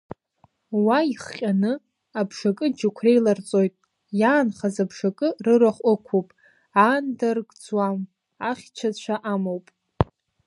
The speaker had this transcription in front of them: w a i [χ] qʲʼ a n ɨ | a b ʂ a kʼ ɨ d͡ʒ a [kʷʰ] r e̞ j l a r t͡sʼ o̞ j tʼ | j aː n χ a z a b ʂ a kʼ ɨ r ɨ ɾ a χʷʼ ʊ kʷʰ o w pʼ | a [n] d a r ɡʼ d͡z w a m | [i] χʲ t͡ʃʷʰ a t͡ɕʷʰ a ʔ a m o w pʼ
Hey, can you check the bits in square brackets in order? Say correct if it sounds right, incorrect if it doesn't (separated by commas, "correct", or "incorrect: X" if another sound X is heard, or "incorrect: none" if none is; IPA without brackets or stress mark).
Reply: correct, correct, correct, incorrect: a